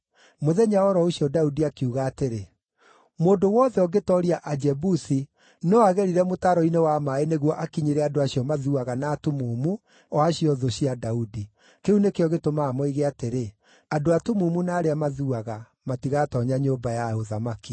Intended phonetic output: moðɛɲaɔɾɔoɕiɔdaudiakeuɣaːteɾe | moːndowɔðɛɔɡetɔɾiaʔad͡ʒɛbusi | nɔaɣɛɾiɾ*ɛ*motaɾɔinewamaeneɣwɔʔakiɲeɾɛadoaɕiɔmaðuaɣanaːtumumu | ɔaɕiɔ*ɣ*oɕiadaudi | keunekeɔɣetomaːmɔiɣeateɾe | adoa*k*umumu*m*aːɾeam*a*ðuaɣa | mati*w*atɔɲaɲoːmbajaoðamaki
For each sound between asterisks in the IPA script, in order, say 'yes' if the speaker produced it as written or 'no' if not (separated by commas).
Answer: yes, no, no, no, yes, no